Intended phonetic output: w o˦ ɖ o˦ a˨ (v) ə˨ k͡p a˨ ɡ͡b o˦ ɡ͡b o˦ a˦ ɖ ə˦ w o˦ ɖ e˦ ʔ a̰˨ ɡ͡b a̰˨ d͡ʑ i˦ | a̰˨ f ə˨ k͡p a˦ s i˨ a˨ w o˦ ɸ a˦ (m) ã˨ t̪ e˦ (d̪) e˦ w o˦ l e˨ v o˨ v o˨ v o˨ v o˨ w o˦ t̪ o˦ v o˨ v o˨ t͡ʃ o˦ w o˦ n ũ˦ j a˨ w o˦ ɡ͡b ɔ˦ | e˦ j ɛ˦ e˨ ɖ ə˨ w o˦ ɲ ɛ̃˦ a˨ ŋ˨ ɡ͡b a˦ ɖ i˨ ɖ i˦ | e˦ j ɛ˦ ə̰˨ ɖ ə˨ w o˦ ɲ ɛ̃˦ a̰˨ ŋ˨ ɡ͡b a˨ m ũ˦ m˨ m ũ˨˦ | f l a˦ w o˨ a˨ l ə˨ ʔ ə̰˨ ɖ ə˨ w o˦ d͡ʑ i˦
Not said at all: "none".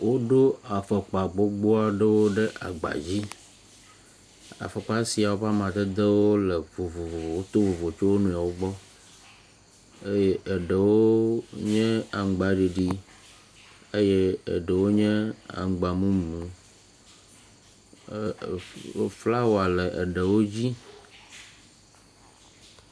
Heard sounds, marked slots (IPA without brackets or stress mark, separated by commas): f, m, d̪